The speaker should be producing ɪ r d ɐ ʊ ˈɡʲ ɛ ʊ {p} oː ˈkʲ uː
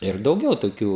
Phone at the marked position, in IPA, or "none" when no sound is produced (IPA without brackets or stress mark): t